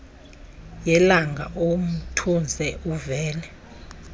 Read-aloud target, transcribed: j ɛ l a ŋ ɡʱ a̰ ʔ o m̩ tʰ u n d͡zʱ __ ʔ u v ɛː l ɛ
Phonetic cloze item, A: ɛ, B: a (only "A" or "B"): A